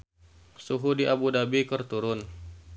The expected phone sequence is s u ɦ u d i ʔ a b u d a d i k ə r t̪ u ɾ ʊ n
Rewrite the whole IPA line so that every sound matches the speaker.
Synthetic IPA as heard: s u ɦ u d i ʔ a b u d a b i k ə r t̪ u ɾ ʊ n

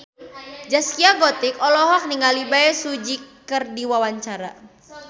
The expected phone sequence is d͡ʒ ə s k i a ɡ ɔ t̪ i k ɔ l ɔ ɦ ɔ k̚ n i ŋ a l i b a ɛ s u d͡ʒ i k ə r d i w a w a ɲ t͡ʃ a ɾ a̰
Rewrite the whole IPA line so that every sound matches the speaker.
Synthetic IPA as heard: d͡ʒ a s k i a ɡ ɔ t̪ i k ɔ l ɔ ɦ ɔ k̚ n i ŋ a l i b a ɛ s u d͡ʒ i k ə r d i w a w a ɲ t͡ʃ a ɾ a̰

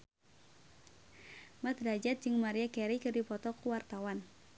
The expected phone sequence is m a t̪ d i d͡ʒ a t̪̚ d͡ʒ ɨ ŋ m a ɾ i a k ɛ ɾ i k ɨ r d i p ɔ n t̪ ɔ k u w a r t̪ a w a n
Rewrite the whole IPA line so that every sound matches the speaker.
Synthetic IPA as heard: m a t̪ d a d͡ʒ a t̪̚ d͡ʒ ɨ ŋ m a ɾ i a k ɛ ɾ i k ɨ r d i p ɔ t̪ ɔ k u w a r t̪ a w a n

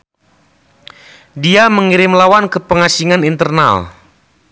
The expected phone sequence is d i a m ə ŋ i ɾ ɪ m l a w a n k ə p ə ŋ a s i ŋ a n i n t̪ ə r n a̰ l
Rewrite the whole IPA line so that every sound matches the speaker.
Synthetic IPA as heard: d i a m ə ŋ i ɾ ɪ m l a w a n k ə p ə ŋ a s i ŋ a n i n t̪ ə r n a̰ l

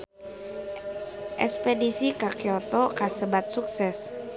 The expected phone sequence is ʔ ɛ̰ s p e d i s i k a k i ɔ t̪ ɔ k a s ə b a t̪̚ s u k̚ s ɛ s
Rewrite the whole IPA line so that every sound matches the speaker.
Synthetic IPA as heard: ʔ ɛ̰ s p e d i s i k a k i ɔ t̪ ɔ k a s ə b a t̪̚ s u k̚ s ɛ s

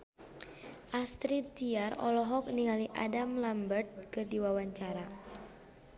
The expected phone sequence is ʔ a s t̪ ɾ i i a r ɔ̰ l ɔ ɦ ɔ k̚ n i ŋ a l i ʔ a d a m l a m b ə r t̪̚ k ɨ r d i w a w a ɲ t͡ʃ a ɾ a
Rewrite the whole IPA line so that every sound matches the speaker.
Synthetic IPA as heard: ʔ a s t̪ ɾ i i a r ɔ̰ l ɔ ɦ ɔ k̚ n i ŋ a l i ʔ a d a m l a m b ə r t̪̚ k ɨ r d i w a w a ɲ t͡ʃ a ɾ a

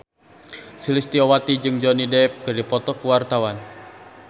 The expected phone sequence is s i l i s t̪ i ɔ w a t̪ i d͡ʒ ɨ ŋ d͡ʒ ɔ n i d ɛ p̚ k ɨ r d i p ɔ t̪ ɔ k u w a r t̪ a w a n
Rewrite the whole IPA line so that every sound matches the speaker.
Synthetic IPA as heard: s i l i s t̪ i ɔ w a t̪ i d͡ʒ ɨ ŋ d͡ʒ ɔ n i d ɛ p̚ k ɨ r d i p ɔ t̪ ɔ k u w a r t̪ a w a n

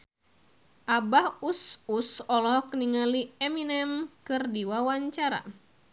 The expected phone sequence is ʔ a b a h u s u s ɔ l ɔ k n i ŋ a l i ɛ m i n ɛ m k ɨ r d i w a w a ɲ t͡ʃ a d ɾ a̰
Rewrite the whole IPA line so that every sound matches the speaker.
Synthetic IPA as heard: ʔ a b a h u s u s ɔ l ɔ k n i ŋ a l i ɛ m i n ɛ m k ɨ r d i w a w a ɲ t͡ʃ a ɾ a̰

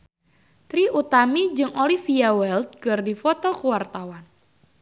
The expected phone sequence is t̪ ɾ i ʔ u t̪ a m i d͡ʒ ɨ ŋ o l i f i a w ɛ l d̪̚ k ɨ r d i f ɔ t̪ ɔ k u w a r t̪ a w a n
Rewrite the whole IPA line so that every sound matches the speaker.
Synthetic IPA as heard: t̪ ɾ i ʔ u t̪ a m i d͡ʒ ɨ ŋ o l i f i a w ɛ l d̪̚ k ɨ r d i f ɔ t̪ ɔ k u w a r t̪ a w a n

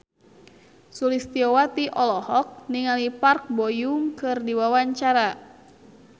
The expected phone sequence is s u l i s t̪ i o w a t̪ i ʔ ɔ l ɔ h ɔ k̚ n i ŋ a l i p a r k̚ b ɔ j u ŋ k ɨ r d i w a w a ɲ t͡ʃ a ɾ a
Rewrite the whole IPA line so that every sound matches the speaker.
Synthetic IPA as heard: s u l i s t̪ i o w a t̪ i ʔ ɔ l ɔ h ɔ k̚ n i ŋ a l i p a r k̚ b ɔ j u ŋ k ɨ r d i w a w a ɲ t͡ʃ a ɾ a

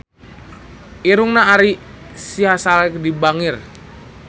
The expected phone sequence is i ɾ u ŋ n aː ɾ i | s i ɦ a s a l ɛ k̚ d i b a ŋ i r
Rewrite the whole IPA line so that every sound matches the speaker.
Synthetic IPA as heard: i ɾ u ŋ n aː ɾ i | s i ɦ a s a l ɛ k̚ d i b a ŋ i r

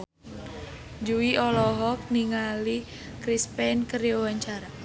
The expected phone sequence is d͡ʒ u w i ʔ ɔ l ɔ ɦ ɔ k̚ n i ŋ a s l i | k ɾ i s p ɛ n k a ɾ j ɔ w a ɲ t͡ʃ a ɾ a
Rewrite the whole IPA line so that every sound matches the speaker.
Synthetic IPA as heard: d͡ʒ u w i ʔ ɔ l ɔ ɦ ɔ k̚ n i ŋ a l i | k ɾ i s p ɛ n k ə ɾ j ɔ w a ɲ t͡ʃ a ɾ a

